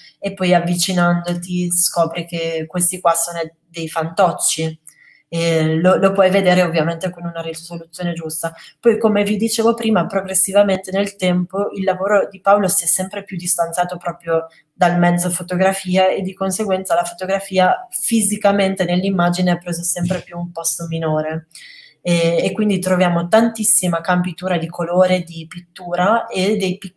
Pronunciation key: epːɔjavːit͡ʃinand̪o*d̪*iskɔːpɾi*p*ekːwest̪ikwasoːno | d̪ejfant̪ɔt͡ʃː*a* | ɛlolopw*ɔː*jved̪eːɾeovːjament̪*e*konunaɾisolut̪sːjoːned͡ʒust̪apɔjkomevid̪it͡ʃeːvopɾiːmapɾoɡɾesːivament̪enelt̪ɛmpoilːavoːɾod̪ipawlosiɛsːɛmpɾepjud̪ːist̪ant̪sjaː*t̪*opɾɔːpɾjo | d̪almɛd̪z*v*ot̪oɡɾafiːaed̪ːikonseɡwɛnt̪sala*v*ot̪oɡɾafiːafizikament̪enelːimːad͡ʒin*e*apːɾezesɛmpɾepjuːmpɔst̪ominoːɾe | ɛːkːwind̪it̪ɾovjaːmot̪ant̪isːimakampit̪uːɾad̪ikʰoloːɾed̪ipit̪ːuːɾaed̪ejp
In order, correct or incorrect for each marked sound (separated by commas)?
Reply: incorrect, incorrect, incorrect, incorrect, correct, correct, incorrect, incorrect, correct